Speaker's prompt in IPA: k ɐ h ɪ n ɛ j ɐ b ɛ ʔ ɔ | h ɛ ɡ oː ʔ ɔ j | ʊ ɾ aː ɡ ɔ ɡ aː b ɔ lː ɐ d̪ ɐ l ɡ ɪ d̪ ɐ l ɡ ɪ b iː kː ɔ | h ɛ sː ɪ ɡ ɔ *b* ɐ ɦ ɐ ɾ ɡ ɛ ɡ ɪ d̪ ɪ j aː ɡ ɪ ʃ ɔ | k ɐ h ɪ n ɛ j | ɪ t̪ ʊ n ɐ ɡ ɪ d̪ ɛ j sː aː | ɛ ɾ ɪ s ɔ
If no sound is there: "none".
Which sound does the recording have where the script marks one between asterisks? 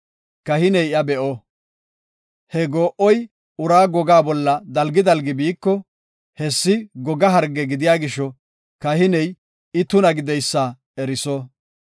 ɡ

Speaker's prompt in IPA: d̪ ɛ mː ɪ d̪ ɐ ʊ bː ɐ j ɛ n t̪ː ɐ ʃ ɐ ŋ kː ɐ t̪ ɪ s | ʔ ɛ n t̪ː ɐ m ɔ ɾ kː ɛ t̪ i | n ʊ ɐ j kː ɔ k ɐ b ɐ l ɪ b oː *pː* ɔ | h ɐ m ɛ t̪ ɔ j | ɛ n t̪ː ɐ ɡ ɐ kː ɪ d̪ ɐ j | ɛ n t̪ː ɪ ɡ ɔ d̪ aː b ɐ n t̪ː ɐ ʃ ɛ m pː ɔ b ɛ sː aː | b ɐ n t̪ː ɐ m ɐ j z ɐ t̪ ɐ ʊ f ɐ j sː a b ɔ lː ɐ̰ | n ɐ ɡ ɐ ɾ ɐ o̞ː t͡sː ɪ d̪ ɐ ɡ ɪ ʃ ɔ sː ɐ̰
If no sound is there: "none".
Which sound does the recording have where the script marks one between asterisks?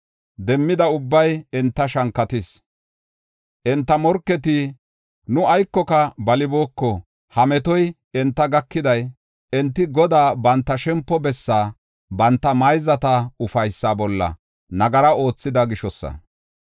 kː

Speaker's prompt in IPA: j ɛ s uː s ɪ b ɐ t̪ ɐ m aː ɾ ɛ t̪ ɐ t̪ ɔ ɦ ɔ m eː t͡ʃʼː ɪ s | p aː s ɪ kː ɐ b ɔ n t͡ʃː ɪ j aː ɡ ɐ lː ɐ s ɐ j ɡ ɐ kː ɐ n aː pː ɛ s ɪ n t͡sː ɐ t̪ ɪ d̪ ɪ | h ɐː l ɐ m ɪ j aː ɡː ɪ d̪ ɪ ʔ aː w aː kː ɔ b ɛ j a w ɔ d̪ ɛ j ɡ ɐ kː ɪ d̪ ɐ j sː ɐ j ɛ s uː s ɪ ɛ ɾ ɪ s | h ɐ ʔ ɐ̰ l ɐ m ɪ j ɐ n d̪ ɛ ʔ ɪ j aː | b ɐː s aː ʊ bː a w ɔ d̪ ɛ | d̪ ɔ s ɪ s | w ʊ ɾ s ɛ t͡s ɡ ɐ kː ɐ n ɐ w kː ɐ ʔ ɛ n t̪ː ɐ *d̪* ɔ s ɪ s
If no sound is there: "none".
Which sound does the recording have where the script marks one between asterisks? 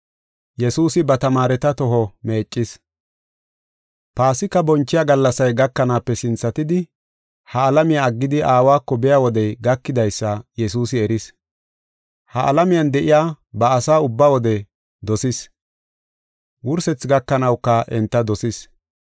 d̪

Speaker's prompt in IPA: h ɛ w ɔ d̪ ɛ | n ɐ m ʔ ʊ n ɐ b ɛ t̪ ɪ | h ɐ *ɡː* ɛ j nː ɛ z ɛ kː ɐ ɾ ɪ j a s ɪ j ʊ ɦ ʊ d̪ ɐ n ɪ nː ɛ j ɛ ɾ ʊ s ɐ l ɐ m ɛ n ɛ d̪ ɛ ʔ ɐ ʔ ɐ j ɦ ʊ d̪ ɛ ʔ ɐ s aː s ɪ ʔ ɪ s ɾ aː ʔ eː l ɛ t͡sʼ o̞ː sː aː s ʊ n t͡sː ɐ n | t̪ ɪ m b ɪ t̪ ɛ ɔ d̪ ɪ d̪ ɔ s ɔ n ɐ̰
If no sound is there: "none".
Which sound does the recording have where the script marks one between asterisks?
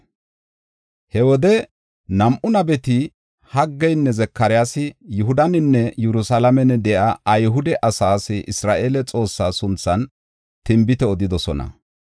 ɡː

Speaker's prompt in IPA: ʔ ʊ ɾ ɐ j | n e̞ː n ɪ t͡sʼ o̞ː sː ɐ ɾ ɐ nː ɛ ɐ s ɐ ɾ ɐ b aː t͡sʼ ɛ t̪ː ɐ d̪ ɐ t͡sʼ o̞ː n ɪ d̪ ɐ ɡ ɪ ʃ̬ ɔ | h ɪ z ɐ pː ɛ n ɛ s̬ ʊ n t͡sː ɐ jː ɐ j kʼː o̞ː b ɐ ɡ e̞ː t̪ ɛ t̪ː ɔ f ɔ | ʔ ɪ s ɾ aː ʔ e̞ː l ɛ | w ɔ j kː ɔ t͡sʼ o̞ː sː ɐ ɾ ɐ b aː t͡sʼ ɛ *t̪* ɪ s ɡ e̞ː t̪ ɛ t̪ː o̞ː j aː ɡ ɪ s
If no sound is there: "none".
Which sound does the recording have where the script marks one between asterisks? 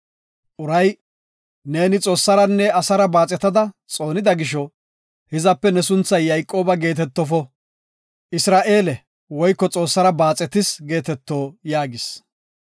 t̪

